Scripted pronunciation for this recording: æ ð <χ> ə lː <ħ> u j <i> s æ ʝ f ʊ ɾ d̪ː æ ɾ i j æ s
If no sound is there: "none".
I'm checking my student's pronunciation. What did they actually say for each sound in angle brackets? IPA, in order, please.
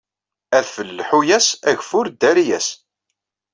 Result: f, ħ, æ

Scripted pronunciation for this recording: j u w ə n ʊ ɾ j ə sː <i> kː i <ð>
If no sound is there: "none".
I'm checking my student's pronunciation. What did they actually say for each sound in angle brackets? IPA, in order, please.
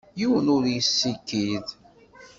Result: i, ð

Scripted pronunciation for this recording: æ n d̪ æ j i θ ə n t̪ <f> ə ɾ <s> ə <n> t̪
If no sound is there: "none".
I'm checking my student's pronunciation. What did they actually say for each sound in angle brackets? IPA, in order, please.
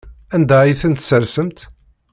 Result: s, s, m

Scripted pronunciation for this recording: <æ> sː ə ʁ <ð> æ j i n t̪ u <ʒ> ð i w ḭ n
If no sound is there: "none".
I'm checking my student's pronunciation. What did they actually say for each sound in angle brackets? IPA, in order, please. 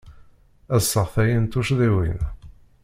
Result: æ, θ, ʃ

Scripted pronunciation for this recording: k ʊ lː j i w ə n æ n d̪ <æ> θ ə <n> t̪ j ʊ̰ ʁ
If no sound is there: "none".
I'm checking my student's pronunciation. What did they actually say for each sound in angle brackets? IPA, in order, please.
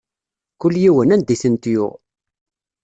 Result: i, n

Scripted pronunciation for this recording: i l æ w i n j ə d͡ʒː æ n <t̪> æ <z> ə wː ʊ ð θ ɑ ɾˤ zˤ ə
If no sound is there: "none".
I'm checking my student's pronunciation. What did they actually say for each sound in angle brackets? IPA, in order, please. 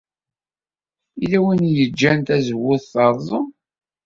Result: t̪, z

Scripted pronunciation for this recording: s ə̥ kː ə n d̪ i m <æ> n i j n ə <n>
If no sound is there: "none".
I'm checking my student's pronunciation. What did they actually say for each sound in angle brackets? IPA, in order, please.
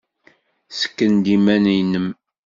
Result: æ, m

